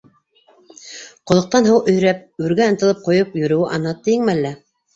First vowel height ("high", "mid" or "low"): mid